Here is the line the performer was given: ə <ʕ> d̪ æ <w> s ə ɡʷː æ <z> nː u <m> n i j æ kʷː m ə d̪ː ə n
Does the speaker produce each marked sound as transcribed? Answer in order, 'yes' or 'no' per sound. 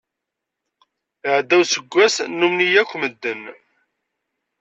yes, yes, no, yes

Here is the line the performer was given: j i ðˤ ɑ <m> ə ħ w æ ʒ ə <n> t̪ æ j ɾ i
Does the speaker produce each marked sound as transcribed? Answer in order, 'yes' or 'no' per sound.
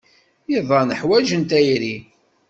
no, yes

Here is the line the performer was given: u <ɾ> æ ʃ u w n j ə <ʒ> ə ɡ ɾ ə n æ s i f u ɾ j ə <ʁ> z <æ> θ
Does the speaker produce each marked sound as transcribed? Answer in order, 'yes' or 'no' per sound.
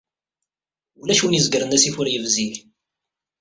no, no, no, no

